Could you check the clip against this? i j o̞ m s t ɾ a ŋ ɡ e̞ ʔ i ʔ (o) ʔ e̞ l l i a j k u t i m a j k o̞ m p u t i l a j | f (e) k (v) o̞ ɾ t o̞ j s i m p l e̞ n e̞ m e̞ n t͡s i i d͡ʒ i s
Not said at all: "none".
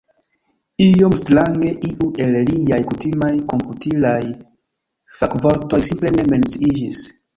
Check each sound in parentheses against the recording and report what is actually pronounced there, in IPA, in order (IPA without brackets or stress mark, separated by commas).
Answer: u, a, v